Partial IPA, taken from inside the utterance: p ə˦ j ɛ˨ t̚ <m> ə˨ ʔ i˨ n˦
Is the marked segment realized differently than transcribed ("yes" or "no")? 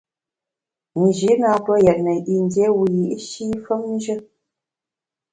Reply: yes